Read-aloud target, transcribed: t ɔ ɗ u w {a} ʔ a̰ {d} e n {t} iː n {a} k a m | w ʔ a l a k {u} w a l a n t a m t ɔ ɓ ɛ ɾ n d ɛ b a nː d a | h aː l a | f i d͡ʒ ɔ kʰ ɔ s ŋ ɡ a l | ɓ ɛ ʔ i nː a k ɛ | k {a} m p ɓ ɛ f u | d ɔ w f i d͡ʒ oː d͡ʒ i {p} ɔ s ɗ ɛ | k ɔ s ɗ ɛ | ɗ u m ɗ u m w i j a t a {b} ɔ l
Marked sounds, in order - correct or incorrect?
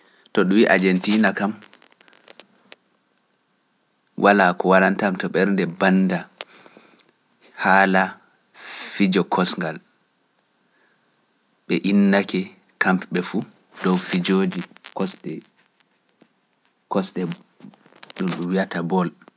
incorrect, incorrect, correct, correct, incorrect, correct, incorrect, correct

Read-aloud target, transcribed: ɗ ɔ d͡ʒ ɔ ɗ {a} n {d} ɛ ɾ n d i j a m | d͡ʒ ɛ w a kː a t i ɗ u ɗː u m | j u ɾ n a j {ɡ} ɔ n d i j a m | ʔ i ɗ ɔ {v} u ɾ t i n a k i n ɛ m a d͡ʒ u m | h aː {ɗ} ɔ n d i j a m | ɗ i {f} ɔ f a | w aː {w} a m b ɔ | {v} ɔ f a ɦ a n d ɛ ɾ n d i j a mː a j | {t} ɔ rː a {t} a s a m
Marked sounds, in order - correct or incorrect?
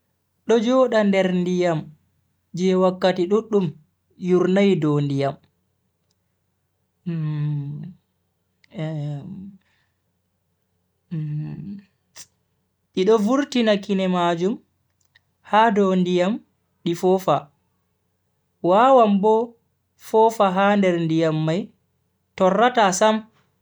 correct, correct, incorrect, correct, incorrect, correct, correct, incorrect, correct, correct

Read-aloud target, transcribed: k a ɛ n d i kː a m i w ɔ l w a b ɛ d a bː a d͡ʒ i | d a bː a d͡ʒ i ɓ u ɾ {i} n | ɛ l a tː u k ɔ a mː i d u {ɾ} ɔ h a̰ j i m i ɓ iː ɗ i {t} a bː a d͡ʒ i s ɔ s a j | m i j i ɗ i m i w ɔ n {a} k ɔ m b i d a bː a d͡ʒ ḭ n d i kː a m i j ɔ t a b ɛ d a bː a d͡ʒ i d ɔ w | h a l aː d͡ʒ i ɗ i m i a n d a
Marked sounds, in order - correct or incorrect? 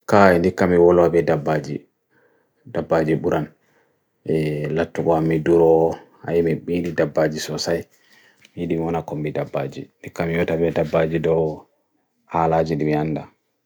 incorrect, correct, incorrect, correct

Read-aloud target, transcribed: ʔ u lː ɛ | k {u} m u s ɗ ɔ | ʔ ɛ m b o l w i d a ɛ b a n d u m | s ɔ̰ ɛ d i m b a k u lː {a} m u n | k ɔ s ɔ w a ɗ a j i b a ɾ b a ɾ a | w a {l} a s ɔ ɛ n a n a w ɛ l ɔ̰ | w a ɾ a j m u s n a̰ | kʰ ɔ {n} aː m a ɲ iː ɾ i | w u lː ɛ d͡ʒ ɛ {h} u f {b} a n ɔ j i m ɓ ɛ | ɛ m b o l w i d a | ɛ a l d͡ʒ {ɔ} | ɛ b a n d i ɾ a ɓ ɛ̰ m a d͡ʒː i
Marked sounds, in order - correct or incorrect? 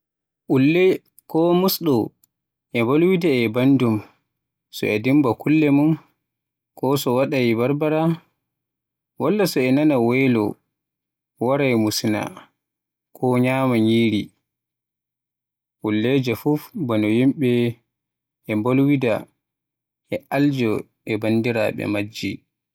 incorrect, incorrect, incorrect, incorrect, incorrect, correct, correct

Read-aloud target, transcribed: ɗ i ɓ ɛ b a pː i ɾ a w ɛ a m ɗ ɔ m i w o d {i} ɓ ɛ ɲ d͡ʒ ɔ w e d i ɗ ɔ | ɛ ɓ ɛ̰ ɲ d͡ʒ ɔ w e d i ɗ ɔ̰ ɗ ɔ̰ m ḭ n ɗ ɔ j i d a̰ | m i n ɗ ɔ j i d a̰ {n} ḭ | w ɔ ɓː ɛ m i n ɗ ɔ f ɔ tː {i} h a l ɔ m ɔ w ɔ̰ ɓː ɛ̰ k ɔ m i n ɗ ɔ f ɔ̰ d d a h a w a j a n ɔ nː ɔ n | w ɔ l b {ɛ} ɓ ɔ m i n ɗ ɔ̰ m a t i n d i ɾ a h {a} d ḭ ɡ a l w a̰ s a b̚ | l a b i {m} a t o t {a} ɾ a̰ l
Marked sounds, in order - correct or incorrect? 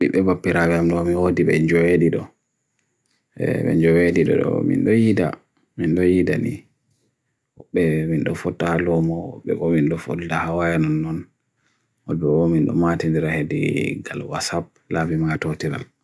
correct, correct, incorrect, correct, incorrect, correct, incorrect

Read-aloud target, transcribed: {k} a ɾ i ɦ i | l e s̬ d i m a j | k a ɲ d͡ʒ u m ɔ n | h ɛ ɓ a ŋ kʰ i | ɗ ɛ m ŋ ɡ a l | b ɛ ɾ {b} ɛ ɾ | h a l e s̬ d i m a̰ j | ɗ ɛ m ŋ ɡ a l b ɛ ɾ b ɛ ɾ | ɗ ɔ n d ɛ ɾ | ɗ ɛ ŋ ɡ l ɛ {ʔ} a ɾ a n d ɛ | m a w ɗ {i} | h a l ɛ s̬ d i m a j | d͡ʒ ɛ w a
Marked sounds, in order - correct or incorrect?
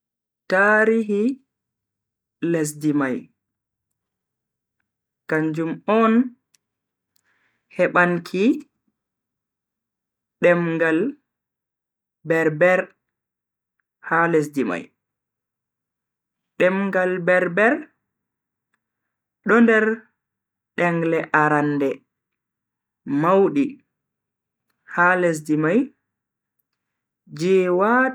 incorrect, correct, correct, correct

